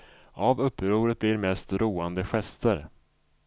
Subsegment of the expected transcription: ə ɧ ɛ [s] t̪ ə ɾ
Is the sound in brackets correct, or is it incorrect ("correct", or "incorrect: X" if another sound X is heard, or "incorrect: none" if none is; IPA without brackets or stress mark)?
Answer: correct